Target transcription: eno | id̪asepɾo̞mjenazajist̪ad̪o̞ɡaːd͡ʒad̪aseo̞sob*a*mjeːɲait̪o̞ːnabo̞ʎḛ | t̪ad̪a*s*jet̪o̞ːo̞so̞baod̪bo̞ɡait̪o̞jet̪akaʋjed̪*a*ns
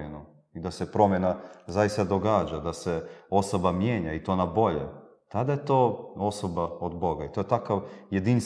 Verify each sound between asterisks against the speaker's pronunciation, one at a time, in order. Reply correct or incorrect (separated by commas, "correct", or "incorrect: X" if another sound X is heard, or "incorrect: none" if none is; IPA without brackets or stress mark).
correct, incorrect: none, incorrect: i